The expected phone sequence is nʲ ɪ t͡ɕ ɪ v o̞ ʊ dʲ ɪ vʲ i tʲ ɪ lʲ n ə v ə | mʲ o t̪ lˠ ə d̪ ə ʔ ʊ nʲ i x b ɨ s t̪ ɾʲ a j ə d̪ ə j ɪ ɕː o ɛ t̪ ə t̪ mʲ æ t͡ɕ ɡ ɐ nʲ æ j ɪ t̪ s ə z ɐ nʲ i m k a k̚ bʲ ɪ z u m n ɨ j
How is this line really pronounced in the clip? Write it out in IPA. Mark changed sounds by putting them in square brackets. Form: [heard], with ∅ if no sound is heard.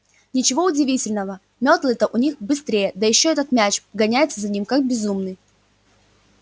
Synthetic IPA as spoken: nʲ ɪ t͡ɕ ɪ v o̞ ʊ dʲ ɪ vʲ i tʲ ɪ lʲ n ə v ə | mʲ o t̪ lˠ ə [t̪] ə ʔ ʊ nʲ i x b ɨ s t̪ ɾʲ [e] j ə d̪ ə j ɪ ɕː o ɛ t̪ ə t̪ mʲ æ t͡ɕ ɡ ɐ nʲ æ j ɪ t̪ s ə z ɐ nʲ i m k a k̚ bʲ ɪ z u m n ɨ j